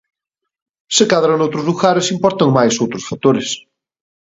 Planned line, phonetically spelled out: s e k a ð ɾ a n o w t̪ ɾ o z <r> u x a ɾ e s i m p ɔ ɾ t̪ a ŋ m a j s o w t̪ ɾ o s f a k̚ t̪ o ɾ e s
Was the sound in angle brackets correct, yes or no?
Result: no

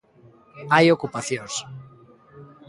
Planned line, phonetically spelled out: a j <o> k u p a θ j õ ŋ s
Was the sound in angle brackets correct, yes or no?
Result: yes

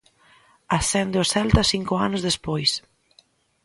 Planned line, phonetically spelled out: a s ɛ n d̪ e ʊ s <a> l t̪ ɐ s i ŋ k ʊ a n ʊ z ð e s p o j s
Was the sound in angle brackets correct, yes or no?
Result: no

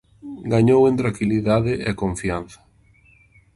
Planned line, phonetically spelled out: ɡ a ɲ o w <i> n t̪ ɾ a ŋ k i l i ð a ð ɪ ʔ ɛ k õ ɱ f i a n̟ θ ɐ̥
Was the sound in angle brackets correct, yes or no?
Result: no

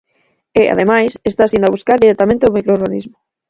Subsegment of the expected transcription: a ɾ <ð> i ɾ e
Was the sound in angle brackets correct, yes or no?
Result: yes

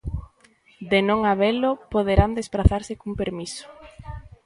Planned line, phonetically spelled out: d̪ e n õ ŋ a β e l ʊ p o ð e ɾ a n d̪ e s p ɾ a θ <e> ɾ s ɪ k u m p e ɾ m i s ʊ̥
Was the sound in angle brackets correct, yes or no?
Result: no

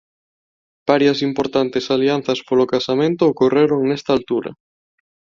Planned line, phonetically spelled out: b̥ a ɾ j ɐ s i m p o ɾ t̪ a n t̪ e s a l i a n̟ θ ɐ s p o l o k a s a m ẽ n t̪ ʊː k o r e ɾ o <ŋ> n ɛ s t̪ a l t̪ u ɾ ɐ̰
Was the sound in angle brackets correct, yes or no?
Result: yes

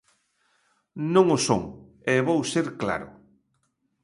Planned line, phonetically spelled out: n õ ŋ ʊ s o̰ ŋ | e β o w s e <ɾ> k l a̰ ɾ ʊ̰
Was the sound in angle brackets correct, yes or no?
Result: yes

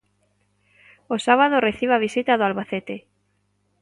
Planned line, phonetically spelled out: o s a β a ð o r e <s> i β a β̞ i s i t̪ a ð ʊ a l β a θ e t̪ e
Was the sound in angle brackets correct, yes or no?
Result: no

